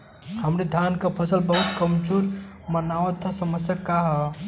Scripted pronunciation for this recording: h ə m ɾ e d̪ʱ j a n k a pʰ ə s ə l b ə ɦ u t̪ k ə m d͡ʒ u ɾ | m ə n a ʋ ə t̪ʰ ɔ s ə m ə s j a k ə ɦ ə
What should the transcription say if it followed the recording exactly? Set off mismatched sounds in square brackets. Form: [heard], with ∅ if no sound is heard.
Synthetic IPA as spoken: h ə m ɾ e d̪ʱ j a n k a pʰ ə s ə l b ə ɦ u t̪ k ə m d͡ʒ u ɾ | m ə n a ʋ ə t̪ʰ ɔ s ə m ə s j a k [a] ɦ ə